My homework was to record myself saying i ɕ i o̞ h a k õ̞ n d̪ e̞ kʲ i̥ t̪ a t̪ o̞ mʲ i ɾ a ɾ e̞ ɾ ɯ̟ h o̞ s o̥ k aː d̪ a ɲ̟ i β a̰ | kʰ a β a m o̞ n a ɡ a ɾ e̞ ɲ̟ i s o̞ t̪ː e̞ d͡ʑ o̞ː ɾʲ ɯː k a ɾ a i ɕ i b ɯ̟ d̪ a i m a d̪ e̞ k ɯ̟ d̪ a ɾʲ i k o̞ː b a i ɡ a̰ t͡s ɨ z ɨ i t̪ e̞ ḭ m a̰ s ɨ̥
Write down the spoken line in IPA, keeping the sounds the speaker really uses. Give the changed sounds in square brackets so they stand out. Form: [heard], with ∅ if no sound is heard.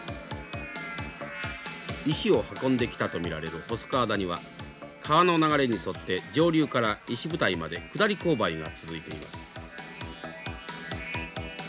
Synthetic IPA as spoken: i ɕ i o̞ h a k õ̞ n d̪ e̞ kʲ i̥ t̪ a t̪ o̞ mʲ i ɾ a ɾ e̞ ɾ ɯ̟ h o̞ s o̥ k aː d̪ a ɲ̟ i β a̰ | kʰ a β a [n] o̞ n a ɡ a ɾ e̞ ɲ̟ i s o̞ t̪ː e̞ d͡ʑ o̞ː ɾʲ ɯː k a ɾ a i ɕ i b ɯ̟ [t̪] a i m a d̪ e̞ k ɯ̟ d̪ a ɾʲ i k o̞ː b a i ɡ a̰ t͡s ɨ z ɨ i t̪ e̞ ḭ m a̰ s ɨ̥